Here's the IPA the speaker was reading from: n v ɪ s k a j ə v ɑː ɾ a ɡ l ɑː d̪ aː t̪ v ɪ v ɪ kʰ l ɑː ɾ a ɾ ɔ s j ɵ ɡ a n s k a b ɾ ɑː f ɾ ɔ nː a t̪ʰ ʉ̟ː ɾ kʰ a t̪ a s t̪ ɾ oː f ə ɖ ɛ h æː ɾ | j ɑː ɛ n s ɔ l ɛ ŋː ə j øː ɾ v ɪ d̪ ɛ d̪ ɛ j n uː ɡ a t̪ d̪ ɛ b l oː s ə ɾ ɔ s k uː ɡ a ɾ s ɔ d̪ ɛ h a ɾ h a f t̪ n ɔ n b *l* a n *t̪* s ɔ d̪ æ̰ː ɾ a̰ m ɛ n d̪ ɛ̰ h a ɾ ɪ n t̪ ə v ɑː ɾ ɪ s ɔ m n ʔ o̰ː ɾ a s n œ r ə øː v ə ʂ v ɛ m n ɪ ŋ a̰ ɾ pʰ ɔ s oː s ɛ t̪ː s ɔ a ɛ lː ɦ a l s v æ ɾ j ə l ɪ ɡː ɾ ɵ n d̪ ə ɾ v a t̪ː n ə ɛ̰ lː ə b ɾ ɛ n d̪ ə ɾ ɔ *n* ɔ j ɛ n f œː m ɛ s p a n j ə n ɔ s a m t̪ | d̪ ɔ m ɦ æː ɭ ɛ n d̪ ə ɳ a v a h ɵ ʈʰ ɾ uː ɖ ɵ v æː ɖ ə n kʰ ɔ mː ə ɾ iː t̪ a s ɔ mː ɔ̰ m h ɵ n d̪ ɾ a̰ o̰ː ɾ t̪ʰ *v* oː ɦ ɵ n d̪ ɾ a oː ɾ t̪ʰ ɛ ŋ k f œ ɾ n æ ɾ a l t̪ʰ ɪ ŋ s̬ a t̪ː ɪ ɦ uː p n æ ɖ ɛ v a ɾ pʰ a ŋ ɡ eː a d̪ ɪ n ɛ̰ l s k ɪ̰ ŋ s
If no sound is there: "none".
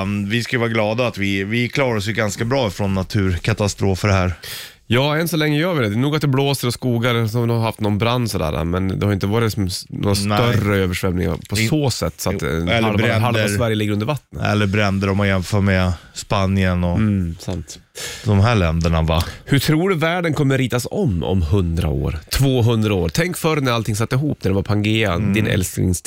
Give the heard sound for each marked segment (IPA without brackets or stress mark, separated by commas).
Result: ɾ, d̪, m, v